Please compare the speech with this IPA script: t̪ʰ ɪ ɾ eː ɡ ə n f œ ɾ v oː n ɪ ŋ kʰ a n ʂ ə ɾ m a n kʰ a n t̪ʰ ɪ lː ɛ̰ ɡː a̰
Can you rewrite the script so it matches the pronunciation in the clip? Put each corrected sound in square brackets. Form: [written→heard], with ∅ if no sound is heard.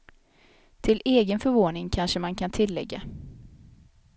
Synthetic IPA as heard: t̪ʰ ɪ [ɾ→l] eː ɡ ə n f œ ɾ v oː n ɪ ŋ kʰ a n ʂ ə [ɾ→∅] m a n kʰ a n t̪ʰ ɪ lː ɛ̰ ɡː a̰